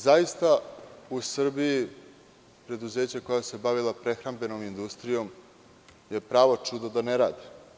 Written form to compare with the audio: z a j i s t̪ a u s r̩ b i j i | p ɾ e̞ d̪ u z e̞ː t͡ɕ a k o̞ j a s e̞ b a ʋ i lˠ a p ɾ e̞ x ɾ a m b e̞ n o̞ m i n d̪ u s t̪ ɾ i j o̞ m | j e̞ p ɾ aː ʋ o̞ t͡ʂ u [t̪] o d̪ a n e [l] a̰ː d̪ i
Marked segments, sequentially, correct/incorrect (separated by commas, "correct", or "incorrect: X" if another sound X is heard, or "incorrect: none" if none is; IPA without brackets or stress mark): incorrect: d̪, incorrect: ɾ